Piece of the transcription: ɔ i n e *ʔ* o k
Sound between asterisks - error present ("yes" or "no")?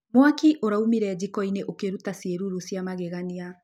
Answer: no